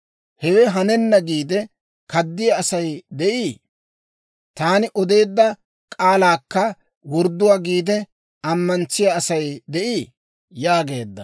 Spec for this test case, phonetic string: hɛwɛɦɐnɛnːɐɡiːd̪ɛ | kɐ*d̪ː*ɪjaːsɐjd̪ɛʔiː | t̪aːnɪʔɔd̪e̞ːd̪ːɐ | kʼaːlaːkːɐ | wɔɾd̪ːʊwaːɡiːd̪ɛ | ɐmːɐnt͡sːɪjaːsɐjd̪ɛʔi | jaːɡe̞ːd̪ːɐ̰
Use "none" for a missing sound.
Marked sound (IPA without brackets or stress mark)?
d̪ː